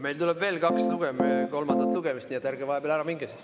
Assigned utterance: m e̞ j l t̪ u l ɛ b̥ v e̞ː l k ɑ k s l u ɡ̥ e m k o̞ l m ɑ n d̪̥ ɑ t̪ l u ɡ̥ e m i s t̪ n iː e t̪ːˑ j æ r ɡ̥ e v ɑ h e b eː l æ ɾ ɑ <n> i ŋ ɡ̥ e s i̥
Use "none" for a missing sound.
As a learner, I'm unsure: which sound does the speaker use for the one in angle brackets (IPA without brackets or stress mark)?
m